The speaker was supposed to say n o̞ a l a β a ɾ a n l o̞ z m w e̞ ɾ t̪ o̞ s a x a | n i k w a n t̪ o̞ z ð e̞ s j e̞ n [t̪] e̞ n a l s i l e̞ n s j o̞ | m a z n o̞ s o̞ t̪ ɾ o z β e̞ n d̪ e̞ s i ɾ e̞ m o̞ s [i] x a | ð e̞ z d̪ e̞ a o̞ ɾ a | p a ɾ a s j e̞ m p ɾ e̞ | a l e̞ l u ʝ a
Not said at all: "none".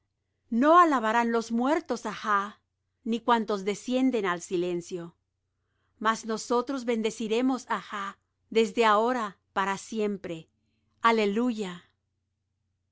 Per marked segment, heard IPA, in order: d̪, a

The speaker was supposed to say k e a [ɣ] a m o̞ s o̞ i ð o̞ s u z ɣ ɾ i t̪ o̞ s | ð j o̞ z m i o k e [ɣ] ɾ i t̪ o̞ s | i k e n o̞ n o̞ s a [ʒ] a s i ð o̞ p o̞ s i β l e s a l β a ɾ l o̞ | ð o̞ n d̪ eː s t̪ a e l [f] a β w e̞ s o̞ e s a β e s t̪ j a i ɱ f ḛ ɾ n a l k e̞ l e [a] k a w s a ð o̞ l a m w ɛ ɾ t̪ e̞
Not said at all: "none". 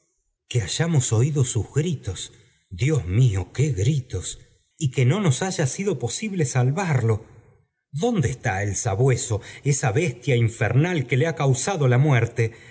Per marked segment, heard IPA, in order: ʒ, ɣ, ʒ, s, a

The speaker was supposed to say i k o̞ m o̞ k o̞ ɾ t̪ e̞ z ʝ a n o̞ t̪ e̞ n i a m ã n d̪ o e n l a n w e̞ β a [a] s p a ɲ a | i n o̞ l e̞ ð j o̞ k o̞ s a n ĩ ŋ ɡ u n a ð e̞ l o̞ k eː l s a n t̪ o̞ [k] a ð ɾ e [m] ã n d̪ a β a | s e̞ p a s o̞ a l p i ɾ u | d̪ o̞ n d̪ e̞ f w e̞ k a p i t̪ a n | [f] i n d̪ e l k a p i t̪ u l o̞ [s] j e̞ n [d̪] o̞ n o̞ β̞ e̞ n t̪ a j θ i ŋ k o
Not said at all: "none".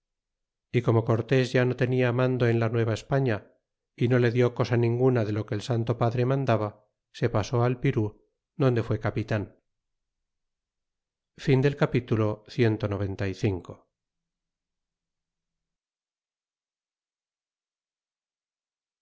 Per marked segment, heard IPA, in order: e, p, m, f, θ, t̪

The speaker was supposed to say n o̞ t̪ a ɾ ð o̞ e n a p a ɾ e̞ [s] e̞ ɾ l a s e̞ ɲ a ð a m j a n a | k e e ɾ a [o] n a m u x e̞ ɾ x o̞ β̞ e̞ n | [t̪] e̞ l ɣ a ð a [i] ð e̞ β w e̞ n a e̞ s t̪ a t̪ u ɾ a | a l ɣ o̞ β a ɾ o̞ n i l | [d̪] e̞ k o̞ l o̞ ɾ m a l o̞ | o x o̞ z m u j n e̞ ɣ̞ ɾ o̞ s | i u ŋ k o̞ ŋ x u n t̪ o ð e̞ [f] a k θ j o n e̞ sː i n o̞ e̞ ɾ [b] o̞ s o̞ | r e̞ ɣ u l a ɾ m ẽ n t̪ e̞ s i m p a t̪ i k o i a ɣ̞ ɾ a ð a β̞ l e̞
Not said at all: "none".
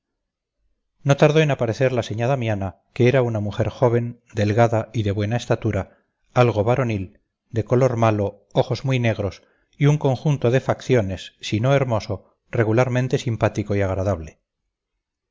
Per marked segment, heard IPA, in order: θ, u, d̪, i, d̪, f, m

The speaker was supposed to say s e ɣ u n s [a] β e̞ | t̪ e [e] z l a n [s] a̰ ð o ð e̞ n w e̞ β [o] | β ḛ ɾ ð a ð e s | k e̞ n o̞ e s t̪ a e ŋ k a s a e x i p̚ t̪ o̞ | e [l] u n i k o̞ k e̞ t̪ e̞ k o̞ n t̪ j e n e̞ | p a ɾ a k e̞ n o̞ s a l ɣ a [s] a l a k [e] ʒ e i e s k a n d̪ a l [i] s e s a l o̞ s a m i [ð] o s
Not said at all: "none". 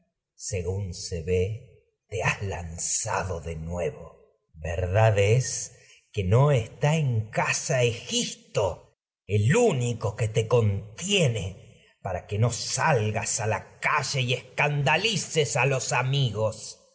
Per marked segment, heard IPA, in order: e, a, s, o, l, s, a, i, ɣ

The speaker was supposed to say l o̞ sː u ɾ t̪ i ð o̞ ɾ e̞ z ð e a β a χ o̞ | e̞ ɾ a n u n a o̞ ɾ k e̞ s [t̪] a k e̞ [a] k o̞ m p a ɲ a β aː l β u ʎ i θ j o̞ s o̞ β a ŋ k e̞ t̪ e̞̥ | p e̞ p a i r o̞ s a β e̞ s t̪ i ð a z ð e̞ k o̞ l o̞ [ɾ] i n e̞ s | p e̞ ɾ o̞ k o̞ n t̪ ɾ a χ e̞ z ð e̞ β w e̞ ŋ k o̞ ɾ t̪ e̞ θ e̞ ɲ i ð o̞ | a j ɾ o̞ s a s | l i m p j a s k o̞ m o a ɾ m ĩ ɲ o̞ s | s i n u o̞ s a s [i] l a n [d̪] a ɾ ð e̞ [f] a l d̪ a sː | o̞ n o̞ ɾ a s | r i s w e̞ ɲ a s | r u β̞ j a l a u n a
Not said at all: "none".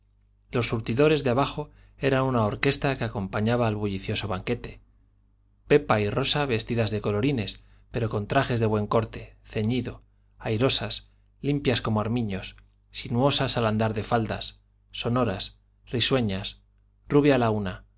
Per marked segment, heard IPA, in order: t̪, a, ɾ, a, d̪, f

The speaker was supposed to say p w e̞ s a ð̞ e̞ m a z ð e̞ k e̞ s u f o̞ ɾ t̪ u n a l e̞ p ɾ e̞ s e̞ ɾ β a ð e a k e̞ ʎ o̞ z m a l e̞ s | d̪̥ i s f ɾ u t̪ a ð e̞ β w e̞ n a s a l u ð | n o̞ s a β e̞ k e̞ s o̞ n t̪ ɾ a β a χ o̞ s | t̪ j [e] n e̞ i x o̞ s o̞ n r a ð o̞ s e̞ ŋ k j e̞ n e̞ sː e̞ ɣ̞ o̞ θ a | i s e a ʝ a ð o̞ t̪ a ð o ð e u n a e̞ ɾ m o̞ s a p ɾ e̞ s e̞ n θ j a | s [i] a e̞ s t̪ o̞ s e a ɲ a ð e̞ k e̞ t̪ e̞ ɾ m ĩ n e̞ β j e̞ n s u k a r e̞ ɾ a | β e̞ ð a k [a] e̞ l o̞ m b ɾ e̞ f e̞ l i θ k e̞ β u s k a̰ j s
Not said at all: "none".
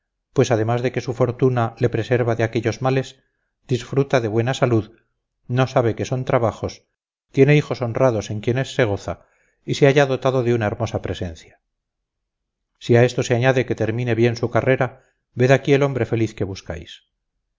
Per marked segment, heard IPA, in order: e, i, i

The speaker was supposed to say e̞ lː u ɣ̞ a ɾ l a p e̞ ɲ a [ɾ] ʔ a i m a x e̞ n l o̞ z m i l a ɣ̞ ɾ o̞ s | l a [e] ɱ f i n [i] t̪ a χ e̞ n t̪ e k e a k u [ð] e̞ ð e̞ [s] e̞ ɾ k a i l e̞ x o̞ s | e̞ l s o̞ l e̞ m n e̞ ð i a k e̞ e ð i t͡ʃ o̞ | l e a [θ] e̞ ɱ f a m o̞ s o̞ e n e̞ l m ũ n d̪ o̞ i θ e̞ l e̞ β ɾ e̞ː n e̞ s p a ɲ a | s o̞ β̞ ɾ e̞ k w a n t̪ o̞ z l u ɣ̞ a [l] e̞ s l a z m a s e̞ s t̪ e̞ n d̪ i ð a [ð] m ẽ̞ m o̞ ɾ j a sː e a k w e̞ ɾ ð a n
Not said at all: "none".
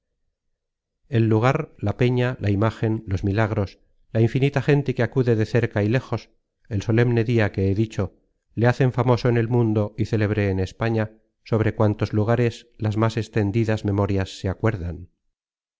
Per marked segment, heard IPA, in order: l, i, i, ð, θ, θ, ɾ, z

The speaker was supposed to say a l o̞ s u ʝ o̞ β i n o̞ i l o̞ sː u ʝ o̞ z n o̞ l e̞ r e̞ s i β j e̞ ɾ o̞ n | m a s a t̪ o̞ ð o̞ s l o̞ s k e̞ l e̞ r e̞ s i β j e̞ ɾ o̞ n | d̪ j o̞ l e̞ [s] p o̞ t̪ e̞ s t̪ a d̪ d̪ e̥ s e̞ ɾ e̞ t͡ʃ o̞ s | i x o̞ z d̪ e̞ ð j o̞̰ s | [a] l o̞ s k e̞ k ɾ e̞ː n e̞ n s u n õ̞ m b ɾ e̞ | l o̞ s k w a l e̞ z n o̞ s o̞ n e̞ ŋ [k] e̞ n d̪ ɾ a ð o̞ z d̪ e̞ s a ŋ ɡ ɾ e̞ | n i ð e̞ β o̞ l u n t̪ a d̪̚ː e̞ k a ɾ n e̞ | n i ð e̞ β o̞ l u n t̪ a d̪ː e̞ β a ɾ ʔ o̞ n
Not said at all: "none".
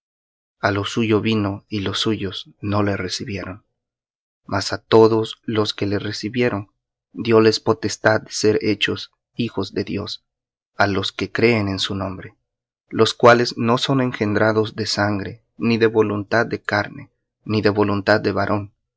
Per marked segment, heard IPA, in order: s, a, x

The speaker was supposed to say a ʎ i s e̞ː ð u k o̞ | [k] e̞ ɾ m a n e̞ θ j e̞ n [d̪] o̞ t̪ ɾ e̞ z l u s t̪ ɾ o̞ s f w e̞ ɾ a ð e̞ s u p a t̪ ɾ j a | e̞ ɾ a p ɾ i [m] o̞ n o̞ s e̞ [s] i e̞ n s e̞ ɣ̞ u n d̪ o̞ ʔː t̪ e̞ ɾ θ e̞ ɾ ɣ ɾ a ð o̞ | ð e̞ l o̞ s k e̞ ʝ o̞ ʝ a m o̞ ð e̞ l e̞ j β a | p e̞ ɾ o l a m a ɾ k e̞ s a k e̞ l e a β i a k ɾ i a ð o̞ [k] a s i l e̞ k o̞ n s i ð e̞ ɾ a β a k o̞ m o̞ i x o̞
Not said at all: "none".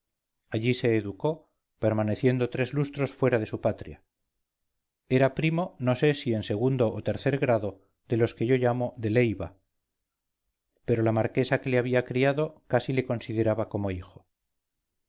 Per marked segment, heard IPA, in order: p, d̪, m, s, k

